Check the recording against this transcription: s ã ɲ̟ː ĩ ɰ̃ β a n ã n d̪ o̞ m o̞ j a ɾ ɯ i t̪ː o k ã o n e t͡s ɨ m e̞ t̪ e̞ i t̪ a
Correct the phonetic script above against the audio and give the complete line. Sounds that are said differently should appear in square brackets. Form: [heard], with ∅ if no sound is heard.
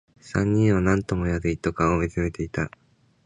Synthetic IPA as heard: s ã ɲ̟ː ĩ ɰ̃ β a n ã n [t̪] o̞ m o̞ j a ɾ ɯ i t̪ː o k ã o [m] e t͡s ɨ m e̞ t̪ e̞ i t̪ a